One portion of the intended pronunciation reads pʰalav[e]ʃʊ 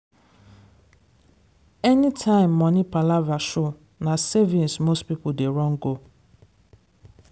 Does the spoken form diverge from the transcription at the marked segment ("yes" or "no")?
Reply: yes